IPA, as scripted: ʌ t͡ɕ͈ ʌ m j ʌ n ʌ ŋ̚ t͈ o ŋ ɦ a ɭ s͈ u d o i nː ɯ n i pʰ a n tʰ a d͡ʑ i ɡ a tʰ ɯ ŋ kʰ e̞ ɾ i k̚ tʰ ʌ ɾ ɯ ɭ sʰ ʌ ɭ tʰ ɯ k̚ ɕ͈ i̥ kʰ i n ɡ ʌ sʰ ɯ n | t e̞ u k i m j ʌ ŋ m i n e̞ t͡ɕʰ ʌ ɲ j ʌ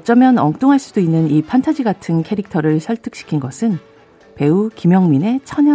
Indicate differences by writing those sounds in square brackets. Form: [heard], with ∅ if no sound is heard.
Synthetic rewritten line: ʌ t͡ɕ͈ ʌ m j ʌ n ʌ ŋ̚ t͈ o ŋ ɦ a ɭ s͈ u d o i nː ɯ n i pʰ a n tʰ a d͡ʑ i ɡ a tʰ ɯ [n] kʰ e̞ ɾ i k̚ tʰ ʌ ɾ ɯ ɭ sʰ ʌ ɭ tʰ ɯ k̚ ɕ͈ i̥ kʰ i n ɡ ʌ sʰ ɯ n | [p] e̞ u k i m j ʌ ŋ m i n e̞ t͡ɕʰ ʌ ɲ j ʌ